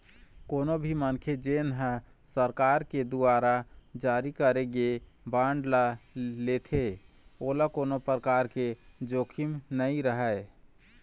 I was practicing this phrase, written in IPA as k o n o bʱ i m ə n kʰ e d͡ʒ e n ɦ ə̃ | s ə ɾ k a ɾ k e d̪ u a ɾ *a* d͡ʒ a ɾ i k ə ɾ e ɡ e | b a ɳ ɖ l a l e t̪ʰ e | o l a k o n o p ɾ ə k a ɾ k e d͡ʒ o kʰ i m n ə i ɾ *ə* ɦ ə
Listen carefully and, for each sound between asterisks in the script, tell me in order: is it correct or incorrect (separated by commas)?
correct, correct